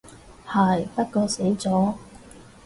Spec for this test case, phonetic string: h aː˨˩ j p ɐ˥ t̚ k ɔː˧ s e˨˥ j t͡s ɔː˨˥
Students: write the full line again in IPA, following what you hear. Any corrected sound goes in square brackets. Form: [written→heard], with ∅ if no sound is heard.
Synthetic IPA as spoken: h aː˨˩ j p ɐ˥ t̚ k ɔː˧ s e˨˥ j t͡s ɔː˨˥